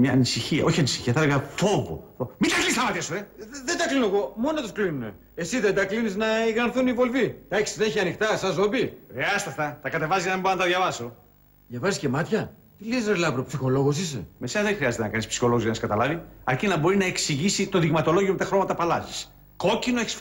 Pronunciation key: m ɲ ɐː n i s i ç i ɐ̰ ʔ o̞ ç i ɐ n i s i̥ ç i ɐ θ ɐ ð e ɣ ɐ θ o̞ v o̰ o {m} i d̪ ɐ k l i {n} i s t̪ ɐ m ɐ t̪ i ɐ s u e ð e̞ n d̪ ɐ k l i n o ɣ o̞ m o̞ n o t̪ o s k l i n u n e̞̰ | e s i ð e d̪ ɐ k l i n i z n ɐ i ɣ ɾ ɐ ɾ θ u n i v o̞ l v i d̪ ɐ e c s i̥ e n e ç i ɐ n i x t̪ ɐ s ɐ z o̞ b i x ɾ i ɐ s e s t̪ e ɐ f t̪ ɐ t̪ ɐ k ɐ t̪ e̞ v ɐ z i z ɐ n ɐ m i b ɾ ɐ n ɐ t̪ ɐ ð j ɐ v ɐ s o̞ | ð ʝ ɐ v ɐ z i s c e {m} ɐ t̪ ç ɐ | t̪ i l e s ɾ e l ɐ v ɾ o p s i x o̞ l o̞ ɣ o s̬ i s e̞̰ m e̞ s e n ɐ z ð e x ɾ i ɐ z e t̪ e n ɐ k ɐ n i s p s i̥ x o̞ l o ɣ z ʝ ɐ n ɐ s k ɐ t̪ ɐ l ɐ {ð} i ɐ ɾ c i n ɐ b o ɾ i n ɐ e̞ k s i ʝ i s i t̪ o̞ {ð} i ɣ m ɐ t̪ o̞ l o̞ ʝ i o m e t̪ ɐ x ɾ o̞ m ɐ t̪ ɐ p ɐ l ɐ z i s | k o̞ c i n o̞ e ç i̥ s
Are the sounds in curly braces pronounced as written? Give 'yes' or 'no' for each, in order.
yes, yes, yes, no, yes

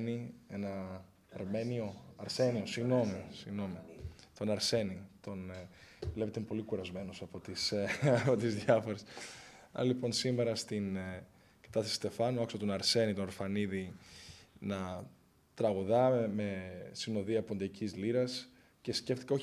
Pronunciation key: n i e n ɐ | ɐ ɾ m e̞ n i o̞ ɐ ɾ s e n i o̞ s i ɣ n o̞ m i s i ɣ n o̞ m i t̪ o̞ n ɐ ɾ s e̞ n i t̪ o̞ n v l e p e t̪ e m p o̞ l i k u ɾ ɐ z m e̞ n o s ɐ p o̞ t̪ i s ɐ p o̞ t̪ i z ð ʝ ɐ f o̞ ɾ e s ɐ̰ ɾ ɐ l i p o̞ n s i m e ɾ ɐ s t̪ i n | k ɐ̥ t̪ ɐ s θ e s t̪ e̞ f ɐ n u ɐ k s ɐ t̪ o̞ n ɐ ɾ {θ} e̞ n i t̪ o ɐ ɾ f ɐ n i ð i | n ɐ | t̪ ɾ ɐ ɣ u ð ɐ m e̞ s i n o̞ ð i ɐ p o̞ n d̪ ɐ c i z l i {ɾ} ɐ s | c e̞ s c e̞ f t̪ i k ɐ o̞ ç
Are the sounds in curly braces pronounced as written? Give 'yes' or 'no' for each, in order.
no, yes

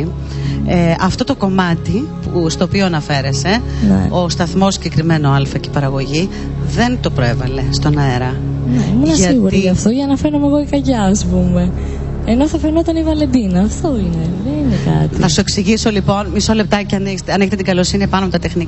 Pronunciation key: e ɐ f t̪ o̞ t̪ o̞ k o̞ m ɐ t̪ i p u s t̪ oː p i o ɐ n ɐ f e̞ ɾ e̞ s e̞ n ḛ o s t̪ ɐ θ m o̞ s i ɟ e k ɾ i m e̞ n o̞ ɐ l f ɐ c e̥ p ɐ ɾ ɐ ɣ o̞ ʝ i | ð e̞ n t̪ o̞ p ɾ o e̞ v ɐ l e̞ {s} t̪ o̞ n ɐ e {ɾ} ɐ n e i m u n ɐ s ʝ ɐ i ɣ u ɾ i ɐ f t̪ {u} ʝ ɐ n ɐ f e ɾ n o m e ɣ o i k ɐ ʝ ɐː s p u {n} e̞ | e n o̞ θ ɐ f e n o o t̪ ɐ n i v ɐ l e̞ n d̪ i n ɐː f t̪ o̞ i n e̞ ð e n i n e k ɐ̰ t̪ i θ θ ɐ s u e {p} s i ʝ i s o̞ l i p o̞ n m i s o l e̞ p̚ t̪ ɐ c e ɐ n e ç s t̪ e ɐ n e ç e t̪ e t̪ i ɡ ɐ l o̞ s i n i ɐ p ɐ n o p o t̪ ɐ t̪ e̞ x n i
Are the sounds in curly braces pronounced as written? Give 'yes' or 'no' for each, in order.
yes, yes, no, no, no

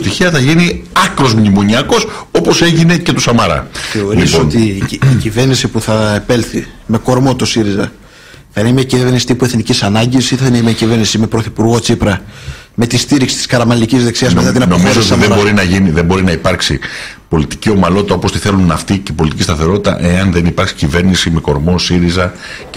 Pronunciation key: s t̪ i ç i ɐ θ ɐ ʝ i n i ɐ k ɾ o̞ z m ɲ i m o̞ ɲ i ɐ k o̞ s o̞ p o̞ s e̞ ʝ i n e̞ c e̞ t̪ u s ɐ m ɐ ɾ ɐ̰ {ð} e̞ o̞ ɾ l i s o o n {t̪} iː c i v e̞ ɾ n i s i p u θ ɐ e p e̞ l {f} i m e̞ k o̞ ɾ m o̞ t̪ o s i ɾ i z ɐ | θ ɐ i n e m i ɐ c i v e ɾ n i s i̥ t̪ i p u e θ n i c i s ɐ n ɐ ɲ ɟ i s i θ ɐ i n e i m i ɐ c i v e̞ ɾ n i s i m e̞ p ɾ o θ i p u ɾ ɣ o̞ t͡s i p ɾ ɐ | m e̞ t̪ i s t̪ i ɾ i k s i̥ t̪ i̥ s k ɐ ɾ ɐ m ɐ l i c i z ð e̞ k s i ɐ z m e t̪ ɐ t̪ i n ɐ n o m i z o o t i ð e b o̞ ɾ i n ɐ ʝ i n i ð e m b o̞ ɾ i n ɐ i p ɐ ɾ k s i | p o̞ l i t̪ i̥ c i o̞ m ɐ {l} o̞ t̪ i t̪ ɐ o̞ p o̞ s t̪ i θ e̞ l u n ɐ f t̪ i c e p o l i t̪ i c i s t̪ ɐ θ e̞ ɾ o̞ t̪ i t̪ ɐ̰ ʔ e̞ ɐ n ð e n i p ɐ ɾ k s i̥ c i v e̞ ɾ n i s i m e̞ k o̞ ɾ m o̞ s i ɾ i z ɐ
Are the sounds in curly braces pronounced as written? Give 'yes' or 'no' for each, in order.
no, yes, no, yes

